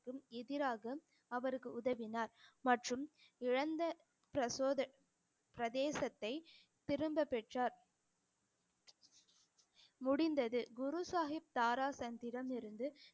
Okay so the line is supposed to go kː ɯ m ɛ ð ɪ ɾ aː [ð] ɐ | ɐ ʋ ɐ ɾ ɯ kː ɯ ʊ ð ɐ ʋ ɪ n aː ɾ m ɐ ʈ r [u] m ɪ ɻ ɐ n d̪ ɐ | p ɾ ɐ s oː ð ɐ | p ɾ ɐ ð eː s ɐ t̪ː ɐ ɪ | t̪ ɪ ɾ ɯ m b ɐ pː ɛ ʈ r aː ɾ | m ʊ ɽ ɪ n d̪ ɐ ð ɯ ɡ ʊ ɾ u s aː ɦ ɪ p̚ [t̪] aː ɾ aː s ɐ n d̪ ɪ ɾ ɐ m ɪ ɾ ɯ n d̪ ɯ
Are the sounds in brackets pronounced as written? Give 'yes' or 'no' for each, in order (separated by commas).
no, no, yes